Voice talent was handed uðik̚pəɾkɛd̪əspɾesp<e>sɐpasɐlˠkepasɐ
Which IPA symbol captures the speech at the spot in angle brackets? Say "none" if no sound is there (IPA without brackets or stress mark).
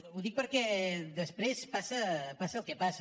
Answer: a